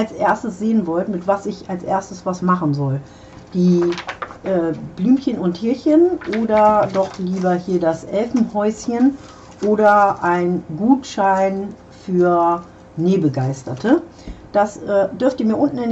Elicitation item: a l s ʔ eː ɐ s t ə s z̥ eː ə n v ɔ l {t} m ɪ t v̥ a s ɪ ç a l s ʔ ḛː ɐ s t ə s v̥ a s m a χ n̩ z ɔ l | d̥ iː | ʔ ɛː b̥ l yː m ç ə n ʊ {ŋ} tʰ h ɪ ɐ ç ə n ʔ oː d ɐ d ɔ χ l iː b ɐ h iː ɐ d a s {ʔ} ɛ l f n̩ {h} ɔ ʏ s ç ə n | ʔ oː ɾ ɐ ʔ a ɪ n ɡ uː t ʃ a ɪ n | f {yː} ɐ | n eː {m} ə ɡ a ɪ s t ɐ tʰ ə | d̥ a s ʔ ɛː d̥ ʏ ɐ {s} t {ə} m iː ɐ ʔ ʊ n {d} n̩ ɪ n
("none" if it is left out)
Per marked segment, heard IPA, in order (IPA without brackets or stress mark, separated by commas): t, n, ʔ, h, yː, b, f, ə, t